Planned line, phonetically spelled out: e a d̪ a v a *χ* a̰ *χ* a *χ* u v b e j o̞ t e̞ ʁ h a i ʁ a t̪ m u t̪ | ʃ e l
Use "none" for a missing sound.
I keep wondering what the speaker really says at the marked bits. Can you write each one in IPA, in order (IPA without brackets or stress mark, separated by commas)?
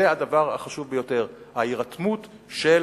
ʁ, χ, ʃ